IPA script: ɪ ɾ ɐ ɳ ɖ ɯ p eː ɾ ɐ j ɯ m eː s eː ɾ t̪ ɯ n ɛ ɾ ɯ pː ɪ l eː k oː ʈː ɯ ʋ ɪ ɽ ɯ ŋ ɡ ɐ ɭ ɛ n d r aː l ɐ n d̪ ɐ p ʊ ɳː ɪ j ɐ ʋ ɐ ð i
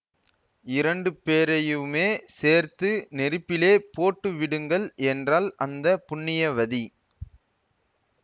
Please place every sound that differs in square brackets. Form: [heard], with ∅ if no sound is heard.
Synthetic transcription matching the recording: ɪ ɾ ɐ ɳ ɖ ɯ p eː ɾ ɐ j ɯ m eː s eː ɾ t̪ ɯ n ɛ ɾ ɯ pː ɪ l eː [p] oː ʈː ɯ ʋ ɪ ɽ ɯ ŋ ɡ ɐ ɭ ɛ n d r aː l ɐ n d̪ ɐ p ʊ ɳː ɪ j ɐ ʋ ɐ ð i